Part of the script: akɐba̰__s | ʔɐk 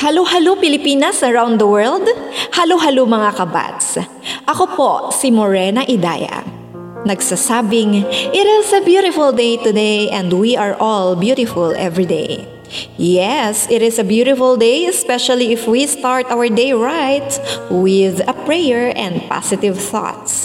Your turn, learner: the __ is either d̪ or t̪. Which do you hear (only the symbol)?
t̪